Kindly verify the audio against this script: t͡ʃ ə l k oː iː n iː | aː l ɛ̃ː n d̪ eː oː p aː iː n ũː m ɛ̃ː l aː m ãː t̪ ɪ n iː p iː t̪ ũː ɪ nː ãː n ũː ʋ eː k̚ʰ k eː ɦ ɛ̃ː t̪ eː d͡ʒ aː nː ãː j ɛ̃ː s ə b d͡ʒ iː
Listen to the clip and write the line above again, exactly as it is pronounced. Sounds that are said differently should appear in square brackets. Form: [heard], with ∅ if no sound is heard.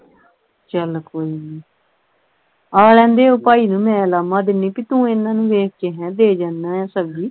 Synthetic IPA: t͡ʃ ə l k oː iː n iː | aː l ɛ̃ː n d̪ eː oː p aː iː n ũː m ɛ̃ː l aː m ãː [d̪] ɪ n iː p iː t̪ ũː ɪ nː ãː n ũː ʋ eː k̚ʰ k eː ɦ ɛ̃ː [d̪] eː d͡ʒ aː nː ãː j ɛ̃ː s ə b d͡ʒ iː

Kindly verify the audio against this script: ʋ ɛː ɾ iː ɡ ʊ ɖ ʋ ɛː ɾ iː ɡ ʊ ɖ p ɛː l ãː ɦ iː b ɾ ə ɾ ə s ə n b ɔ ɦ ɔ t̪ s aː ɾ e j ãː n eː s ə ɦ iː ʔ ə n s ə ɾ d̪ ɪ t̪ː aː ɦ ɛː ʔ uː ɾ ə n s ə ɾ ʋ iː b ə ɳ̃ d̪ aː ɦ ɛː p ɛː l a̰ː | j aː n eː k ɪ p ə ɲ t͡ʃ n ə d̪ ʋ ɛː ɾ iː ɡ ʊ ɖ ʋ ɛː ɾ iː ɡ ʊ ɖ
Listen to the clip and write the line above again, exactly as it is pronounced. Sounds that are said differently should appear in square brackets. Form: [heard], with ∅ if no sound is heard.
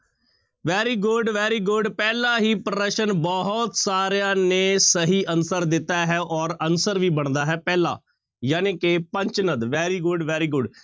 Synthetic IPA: ʋ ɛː ɾ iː ɡ ʊ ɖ ʋ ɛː ɾ iː ɡ ʊ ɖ p ɛː l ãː ɦ iː [p] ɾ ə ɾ ə [ʃ] ə n b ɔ ɦ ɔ t̪ s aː ɾ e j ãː n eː s ə ɦ iː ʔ ə n s ə ɾ d̪ ɪ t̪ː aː ɦ ɛː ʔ [ɔː] ɾ ə n s ə ɾ ʋ iː b ə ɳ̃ d̪ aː ɦ ɛː p ɛː l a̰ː | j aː n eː k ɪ p ə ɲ t͡ʃ n ə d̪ ʋ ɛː ɾ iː ɡ ʊ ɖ ʋ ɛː ɾ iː ɡ ʊ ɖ

